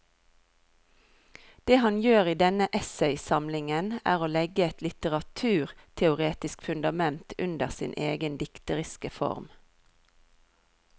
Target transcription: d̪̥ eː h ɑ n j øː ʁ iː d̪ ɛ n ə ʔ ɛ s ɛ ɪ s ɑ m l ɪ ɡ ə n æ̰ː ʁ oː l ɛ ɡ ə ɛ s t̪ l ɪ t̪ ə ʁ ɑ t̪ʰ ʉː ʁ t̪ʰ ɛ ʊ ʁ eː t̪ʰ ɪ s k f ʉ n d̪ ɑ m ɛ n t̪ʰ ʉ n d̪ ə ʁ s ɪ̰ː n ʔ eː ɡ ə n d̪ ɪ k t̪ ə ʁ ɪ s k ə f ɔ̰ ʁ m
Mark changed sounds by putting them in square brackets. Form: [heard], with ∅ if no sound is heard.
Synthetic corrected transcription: d̪̥ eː h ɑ n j øː ʁ iː d̪ ɛ n ə ʔ ɛ s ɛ ɪ s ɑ m l ɪ [ŋ] ə n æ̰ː ʁ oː l ɛ ɡ ə ɛ [∅] t̪ l ɪ t̪ ə ʁ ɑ t̪ʰ ʉː ʁ t̪ʰ ɛ ʊ ʁ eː [t̪] ɪ s k f ʉ n d̪ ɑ m ɛ n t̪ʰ ʉ n d̪ ə ʁ s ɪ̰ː n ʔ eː ɡ ə n d̪ ɪ k t̪ ə ʁ ɪ s k ə f ɔ̰ ʁ m